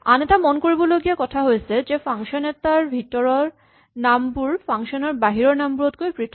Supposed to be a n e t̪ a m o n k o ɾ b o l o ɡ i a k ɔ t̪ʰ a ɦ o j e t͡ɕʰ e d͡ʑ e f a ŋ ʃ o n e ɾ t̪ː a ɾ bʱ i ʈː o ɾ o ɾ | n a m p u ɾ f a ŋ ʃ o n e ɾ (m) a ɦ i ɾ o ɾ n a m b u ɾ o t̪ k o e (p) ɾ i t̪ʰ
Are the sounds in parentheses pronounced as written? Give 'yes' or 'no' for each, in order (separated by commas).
no, yes